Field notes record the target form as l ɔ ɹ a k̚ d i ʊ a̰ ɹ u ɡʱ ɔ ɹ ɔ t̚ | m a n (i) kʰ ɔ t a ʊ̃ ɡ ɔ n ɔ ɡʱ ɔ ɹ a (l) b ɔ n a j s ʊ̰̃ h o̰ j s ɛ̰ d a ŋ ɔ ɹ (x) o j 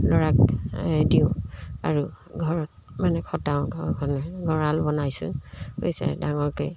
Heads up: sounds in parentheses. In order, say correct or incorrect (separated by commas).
incorrect, correct, incorrect